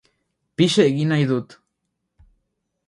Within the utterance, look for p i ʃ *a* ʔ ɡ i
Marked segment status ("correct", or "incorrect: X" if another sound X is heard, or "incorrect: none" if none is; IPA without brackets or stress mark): incorrect: e